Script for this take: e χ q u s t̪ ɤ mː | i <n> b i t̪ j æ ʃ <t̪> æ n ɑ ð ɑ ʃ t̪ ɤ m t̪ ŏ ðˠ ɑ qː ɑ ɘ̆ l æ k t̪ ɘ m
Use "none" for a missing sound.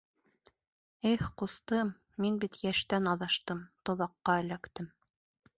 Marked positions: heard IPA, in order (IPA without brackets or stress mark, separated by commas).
n, t̪